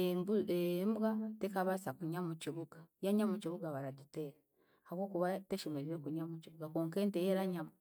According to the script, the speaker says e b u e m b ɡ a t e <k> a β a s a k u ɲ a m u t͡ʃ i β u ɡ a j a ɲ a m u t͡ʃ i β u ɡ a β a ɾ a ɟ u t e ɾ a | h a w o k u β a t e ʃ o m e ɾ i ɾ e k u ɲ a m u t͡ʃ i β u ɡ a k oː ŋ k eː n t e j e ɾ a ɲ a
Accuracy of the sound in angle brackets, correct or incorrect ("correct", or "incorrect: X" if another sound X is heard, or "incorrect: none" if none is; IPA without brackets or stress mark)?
correct